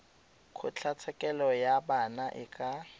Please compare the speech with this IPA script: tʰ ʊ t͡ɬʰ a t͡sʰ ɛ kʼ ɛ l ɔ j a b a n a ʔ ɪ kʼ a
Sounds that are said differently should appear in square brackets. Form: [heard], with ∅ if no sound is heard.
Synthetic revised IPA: [kʰ] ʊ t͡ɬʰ a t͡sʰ ɛ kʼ ɛ l ɔ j a b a n a ʔ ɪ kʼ a